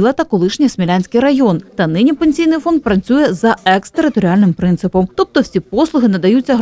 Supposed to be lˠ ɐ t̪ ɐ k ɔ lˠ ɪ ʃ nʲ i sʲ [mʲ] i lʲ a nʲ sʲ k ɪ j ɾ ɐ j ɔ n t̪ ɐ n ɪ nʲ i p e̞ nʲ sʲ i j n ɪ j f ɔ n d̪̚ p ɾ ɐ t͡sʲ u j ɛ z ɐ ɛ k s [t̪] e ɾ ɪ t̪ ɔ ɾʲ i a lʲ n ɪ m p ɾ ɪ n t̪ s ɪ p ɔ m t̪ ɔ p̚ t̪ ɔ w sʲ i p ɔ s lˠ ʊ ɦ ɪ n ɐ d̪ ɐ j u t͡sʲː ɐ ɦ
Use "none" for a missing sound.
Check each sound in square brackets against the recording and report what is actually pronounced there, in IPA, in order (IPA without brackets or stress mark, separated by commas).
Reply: mʲ, t̪